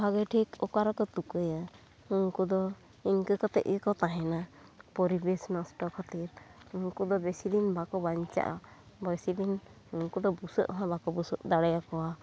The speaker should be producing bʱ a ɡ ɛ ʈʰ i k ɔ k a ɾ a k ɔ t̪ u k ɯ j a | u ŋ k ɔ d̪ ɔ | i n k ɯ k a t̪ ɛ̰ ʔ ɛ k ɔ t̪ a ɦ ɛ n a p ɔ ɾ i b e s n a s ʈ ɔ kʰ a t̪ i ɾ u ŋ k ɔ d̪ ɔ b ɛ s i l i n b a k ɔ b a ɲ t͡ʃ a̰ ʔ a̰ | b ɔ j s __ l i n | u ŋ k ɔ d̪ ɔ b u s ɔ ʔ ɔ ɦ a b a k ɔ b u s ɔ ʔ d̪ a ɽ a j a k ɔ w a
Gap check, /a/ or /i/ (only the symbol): i